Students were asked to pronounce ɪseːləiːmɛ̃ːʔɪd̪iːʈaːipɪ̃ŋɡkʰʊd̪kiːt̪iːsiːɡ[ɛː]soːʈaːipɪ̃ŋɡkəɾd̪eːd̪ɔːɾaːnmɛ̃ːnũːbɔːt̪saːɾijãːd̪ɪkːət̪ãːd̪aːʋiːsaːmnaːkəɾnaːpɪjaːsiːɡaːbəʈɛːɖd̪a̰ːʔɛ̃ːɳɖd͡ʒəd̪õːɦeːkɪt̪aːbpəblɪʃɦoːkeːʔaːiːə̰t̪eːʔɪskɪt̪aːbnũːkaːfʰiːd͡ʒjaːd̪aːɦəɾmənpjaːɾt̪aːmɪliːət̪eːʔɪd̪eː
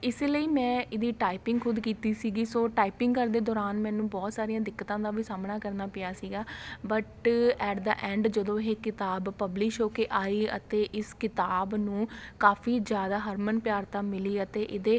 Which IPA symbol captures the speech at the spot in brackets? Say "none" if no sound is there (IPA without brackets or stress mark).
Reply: iː